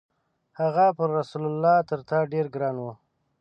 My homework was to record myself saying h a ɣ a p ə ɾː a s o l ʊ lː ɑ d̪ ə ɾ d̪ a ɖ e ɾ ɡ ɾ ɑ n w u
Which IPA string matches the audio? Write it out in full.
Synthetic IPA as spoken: h a ɣ a p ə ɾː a s u l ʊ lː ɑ t̪ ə ɾ t̪ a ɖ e ɾ ɡ ɾ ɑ n w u